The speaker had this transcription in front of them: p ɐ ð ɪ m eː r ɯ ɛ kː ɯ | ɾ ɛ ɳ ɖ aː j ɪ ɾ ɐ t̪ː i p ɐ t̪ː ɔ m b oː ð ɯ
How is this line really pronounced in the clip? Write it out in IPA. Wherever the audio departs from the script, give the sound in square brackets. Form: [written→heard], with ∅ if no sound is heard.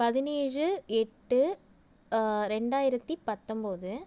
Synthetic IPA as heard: p ɐ ð ɪ [m→n] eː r ɯ ɛ [kː→ʈː] ɯ | ɾ ɛ ɳ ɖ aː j ɪ ɾ ɐ t̪ː i p ɐ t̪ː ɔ m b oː ð ɯ

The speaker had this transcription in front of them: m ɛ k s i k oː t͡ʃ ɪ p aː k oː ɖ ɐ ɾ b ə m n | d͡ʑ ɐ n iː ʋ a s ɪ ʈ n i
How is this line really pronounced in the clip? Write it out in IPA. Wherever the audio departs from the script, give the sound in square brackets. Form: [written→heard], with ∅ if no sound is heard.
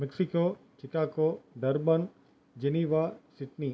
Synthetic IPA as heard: m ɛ k s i k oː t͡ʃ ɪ [p→k] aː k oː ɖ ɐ ɾ b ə [m→∅] n | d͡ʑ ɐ n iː ʋ a s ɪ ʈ n i

